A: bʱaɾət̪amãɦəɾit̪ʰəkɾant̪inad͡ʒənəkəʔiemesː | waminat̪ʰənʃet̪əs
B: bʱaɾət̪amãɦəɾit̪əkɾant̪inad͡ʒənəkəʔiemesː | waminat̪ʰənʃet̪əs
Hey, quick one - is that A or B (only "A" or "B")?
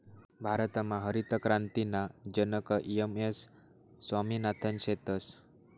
B